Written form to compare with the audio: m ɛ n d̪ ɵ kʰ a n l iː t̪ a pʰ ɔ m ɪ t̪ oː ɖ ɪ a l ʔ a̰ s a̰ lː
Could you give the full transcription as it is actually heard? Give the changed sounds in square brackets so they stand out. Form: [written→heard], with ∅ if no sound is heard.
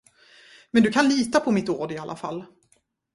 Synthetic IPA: m ɛ n d̪ ɵ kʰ a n l iː t̪ a pʰ ɔ m ɪ t̪ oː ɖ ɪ a l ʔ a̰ [s→f] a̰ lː